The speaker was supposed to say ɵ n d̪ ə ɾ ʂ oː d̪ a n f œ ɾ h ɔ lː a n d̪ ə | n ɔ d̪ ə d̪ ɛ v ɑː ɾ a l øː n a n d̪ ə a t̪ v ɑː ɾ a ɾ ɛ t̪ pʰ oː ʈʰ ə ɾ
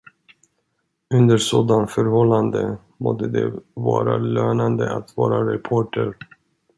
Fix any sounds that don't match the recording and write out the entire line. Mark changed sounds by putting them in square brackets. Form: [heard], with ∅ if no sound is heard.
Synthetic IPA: ɵ n d̪ ə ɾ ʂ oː d̪ a n f œ ɾ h ɔ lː a n d̪ ə | [m] ɔ d̪ ə d̪ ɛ v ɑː ɾ a l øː n a n d̪ ə a t̪ v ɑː ɾ a ɾ ɛ [∅] pʰ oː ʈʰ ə ɾ